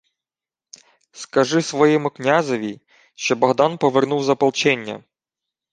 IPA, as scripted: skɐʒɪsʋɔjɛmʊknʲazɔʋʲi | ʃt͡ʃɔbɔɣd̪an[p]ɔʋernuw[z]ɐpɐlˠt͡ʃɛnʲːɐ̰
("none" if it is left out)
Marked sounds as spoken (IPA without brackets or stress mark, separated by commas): p, z